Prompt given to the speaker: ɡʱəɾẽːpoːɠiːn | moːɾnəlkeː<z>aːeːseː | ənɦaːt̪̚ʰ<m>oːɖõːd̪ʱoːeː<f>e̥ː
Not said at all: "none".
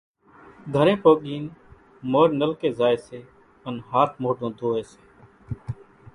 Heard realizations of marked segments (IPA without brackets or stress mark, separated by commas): z, m, s